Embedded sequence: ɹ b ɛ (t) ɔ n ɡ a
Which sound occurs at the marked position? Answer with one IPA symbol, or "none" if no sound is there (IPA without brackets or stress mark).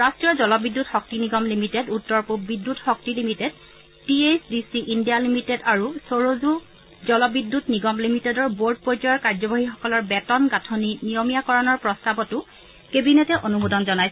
t